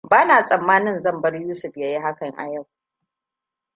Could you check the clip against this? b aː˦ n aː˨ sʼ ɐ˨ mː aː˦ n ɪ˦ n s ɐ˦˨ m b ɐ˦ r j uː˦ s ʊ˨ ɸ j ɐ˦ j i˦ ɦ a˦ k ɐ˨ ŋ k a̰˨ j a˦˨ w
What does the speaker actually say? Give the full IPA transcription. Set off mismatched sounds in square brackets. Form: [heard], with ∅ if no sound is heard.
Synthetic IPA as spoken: b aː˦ n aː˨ sʼ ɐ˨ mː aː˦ n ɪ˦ n [z] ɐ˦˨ m b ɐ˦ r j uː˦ s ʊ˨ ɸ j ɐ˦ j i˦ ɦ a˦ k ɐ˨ ŋ [ʔ] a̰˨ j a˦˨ w